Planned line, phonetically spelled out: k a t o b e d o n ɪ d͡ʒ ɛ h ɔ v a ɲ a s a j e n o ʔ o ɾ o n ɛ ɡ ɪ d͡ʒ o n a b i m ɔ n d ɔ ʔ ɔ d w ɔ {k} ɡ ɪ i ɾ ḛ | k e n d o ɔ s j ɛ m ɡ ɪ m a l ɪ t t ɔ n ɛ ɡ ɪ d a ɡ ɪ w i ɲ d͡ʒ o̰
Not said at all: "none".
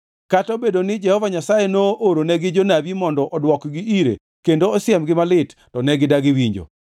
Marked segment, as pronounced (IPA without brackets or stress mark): k